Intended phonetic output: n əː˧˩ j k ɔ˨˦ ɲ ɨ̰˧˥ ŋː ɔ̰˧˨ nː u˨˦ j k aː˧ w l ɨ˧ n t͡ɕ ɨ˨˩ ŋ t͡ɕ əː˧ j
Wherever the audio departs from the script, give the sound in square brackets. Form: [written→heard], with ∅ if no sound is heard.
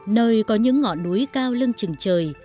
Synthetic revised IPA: n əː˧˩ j k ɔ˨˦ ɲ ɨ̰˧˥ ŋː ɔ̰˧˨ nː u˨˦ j k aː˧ w l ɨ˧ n t͡ɕ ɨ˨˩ ŋ t͡ɕ [əː˧→əː˨˩] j